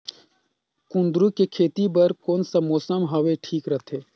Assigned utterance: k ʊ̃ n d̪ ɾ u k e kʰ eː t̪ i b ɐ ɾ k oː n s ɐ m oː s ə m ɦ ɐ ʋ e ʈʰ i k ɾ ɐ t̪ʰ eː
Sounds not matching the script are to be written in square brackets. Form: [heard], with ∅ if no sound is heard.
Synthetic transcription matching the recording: k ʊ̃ n d̪ ɾ u k e kʰ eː t̪ i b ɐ ɾ k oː n s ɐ m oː s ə m ɦ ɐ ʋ e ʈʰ [iː] k ɾ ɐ t̪ʰ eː